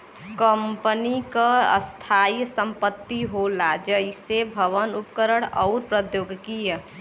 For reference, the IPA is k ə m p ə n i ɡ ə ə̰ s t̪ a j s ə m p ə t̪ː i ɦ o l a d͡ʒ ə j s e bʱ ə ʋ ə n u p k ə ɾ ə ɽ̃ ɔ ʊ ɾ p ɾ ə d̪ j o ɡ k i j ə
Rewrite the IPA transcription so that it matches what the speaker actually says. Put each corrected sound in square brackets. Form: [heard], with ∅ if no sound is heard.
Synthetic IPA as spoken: k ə m p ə n i [k] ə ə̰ s [t̪ʰ] a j s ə m p ə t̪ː i ɦ o l a d͡ʒ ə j s e bʱ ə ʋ ə n u p k ə ɾ ə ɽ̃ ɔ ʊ ɾ p ɾ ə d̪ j o ɡ k i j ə